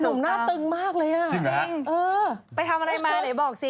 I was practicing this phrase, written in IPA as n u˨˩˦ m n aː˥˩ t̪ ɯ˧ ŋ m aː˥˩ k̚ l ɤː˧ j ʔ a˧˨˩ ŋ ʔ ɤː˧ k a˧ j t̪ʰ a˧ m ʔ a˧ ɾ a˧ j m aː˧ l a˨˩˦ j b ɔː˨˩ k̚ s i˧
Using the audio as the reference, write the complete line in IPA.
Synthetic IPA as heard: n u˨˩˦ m n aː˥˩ t̪ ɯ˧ ŋ m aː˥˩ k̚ l ɤː˧ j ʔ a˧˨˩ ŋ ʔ ɤː˧ p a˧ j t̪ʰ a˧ m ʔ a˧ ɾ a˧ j m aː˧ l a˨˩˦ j b ɔː˨˩ k̚ s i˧